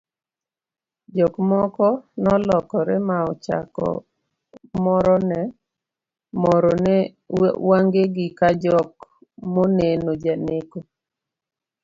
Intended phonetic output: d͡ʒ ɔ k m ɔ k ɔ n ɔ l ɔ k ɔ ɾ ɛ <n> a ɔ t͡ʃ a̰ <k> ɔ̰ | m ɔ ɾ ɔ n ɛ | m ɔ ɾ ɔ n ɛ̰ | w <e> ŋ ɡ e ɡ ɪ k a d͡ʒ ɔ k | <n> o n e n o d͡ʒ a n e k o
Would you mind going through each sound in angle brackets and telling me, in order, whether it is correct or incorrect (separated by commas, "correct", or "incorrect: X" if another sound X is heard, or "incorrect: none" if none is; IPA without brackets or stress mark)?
incorrect: m, correct, incorrect: a, incorrect: m